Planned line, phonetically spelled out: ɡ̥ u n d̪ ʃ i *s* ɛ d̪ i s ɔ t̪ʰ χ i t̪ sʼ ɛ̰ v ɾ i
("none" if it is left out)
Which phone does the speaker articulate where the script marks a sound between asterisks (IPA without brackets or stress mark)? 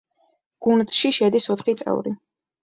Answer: ʃ